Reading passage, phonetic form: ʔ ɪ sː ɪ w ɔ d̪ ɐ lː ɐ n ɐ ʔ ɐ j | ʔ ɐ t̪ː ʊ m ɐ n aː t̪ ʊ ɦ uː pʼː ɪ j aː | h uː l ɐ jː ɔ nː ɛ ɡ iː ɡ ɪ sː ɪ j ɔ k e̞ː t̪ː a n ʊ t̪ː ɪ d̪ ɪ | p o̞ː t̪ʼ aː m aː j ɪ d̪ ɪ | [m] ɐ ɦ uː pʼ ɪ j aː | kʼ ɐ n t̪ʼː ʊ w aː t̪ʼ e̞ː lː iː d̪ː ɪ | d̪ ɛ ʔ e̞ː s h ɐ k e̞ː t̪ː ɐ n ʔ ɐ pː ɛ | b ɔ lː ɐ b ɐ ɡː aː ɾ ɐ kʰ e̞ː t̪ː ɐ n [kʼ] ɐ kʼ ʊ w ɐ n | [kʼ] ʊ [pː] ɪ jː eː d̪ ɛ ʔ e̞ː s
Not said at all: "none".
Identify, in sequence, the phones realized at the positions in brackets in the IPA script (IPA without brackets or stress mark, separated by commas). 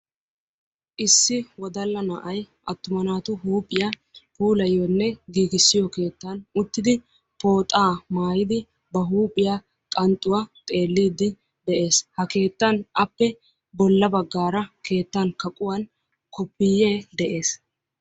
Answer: b, k, k, pː